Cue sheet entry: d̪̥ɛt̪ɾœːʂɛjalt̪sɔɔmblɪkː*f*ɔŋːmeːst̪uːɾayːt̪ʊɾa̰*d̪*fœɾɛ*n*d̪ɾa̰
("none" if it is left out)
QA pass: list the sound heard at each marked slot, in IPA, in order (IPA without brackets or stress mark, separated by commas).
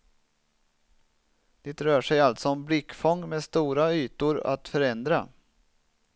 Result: f, t̪, n